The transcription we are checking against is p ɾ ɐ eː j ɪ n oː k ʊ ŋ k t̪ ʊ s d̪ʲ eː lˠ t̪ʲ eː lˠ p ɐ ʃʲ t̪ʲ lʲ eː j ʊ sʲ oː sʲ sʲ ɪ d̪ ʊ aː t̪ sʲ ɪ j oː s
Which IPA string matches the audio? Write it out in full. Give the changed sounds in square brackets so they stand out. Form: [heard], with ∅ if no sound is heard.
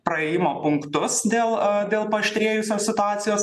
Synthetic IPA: p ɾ ɐ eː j ɪ [m] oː [p] ʊ ŋ k t̪ ʊ s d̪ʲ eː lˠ [d̪ʲ] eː lˠ p ɐ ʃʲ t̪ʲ [ɾʲ] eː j ʊ sʲ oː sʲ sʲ ɪ [t̪] ʊ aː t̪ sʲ ɪ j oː s